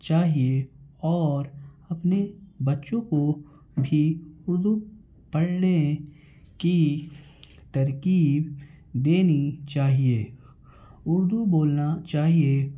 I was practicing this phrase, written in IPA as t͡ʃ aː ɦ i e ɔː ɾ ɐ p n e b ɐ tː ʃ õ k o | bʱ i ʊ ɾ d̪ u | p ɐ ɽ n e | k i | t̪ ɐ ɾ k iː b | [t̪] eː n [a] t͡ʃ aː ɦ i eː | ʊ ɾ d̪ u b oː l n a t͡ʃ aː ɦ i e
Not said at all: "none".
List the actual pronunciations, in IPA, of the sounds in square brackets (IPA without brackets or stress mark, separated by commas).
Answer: d̪, i